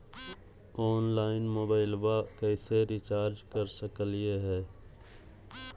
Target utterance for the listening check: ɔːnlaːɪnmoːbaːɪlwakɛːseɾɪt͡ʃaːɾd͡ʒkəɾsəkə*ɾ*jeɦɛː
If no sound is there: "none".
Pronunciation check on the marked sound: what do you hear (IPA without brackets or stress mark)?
l